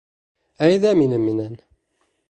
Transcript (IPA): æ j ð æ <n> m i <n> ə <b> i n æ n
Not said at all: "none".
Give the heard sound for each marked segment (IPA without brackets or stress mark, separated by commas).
none, n, m